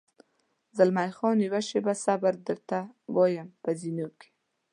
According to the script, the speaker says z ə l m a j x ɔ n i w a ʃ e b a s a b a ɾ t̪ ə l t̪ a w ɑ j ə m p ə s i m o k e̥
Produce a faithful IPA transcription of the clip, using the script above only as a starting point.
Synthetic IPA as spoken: z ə l m a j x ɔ n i w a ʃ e b a s a b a ɾ d̪ ə ɾ t̪ a w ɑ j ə m p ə z i n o k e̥